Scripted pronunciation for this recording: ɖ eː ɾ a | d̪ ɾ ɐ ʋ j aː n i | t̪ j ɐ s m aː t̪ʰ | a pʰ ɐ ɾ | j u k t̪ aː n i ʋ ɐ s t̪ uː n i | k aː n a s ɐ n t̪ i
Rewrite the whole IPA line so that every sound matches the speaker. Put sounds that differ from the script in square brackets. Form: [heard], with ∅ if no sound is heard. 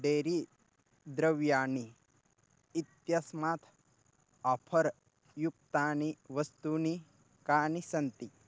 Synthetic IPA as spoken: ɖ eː ɾ [i] | d̪ ɾ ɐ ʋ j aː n i | t̪ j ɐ s m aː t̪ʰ | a pʰ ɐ ɾ | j u k t̪ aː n i ʋ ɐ s t̪ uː n i | k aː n [i] s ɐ n t̪ i